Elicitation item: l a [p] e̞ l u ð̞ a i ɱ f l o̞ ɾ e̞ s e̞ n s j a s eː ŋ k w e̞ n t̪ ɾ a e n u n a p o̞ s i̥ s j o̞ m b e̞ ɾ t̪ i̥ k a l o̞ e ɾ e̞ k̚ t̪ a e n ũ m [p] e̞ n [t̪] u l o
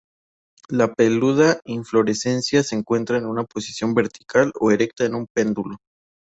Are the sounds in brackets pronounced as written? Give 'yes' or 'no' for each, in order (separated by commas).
yes, yes, no